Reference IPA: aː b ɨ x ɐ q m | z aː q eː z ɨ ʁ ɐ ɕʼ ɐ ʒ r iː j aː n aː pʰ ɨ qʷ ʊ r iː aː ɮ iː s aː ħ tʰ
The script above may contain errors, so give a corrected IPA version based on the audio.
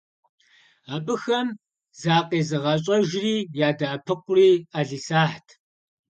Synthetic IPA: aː b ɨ x ɐ m | z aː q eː z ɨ ʁ ɐ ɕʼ ɐ ʒ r iː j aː d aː pʰ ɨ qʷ ʊ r iː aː ɮ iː s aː ħ tʰ